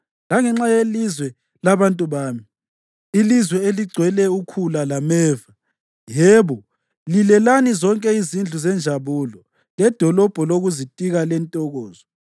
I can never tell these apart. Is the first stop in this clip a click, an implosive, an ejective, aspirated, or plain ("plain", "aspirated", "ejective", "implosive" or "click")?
click